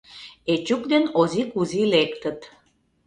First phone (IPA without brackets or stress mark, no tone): e